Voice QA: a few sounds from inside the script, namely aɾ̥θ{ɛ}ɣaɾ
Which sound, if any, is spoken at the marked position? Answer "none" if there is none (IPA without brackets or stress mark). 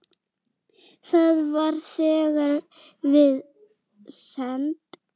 ɛː